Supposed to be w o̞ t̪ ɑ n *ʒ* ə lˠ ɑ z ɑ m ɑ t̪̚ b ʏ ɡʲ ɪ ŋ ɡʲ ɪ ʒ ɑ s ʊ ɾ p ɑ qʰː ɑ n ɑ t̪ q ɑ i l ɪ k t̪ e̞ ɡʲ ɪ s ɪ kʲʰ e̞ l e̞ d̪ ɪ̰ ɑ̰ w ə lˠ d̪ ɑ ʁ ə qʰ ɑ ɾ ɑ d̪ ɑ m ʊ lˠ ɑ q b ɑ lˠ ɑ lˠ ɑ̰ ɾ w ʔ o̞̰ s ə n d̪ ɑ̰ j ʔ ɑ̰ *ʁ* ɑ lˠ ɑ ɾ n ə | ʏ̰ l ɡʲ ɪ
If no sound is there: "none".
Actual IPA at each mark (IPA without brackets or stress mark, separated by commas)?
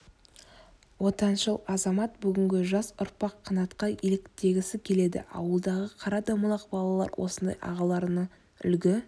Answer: ʃ, ʁ